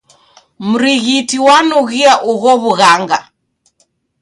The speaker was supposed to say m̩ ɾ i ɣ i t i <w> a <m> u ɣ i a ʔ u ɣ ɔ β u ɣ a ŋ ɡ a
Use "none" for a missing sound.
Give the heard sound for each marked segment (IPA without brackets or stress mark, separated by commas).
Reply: w, n